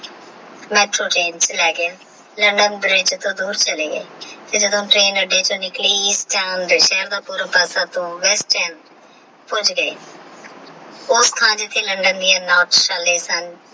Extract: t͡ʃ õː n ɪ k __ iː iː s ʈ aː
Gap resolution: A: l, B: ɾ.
A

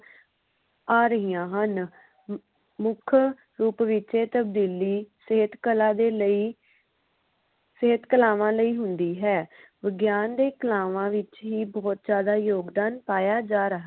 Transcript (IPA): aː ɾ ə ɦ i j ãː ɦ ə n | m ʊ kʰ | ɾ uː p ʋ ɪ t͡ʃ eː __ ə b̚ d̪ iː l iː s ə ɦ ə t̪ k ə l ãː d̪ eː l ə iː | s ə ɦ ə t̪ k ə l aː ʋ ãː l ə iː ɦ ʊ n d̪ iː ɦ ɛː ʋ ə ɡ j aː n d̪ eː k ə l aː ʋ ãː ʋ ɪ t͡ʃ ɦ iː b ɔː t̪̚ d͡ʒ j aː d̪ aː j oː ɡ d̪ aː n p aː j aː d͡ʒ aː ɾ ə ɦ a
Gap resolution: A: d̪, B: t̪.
B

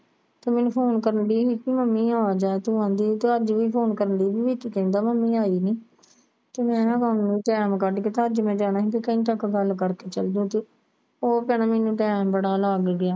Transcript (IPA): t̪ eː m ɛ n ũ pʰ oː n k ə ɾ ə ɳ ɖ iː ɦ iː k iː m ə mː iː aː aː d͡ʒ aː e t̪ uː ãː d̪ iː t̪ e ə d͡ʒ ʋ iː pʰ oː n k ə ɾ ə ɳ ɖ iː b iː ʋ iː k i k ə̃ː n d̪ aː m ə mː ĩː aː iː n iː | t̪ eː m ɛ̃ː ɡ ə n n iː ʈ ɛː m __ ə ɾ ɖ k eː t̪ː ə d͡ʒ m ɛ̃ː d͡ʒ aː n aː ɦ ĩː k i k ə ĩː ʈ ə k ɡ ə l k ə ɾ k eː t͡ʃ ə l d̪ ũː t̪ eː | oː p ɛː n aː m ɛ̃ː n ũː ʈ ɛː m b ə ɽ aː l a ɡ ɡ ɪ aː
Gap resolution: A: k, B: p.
A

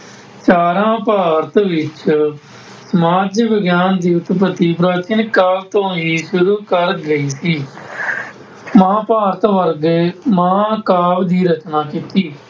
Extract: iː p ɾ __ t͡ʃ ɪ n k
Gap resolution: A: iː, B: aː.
B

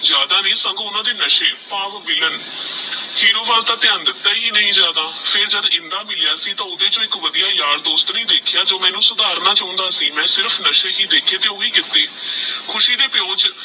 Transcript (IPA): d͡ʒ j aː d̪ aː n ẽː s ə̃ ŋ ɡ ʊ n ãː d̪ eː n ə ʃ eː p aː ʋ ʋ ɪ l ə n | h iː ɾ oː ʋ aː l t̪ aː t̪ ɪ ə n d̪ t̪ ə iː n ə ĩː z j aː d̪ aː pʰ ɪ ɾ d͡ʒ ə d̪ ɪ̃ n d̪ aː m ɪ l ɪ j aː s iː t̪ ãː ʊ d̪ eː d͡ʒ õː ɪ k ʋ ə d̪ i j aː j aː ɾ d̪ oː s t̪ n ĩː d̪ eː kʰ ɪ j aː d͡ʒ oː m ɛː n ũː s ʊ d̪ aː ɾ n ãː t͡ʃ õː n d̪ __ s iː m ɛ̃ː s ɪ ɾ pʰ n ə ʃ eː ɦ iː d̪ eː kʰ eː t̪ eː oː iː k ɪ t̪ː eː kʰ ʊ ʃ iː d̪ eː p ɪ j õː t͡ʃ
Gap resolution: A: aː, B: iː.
A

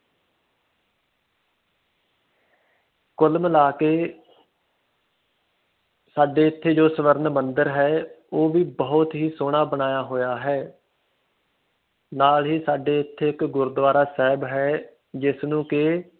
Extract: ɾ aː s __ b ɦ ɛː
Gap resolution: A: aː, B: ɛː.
B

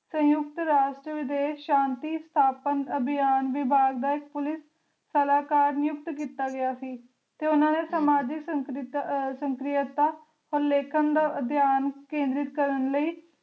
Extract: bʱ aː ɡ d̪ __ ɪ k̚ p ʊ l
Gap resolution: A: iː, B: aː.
B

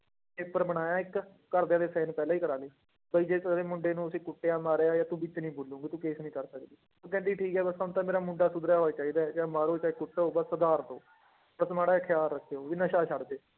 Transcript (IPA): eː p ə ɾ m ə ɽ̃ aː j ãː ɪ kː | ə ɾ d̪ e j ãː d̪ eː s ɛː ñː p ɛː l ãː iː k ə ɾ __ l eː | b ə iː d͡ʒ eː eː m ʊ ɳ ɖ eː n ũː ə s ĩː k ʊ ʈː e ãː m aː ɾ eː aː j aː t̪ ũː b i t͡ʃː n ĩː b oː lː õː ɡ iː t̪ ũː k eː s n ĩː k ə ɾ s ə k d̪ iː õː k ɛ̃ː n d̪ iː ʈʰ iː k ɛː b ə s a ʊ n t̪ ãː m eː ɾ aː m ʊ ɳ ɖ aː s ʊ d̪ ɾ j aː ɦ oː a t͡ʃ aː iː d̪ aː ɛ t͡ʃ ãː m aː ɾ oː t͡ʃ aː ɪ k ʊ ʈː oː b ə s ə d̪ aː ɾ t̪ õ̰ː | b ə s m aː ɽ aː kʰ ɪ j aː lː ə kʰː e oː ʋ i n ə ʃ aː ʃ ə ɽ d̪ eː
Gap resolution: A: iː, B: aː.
B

